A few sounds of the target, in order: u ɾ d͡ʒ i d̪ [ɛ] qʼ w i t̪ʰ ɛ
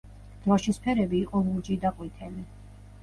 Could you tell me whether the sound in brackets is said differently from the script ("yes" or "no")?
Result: yes